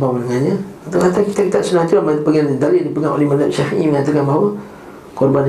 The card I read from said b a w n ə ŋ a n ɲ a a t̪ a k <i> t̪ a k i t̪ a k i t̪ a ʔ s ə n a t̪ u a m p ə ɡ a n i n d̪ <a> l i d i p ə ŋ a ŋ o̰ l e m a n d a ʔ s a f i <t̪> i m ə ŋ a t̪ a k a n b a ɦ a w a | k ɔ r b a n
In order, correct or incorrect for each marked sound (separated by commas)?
incorrect, correct, incorrect